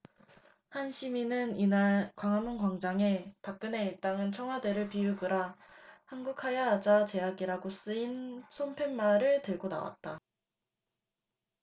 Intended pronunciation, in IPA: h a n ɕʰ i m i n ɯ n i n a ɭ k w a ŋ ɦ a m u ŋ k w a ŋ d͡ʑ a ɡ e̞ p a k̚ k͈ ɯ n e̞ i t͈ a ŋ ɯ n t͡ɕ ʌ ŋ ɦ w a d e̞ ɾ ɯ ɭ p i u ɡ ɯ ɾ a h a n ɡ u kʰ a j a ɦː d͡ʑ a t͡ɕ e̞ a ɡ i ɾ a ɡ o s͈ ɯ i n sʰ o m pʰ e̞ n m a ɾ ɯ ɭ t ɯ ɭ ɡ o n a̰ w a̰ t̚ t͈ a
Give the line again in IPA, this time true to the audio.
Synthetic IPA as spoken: h a n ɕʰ i m i n ɯ n i n a ɭ k w a ŋ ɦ a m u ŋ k w a ŋ d͡ʑ a ŋ e̞ p a k̚ k͈ ɯ n e̞ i t͈ a ŋ ɯ n t͡ɕʰ ʌ ŋ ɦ w a d e̞ ɾ ɯ ɭ p i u ɡ ɯ ɾ a h a n ɡ u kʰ a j a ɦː d͡ʑ a t͡ɕ e̞ a ɡ i ɾ a ɡ o s͈ ɯ i n sʰ o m pʰ e̞ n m a ɾ ɯ ɭ t ɯ ɭ ɡ o n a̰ w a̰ t̚ t͈ a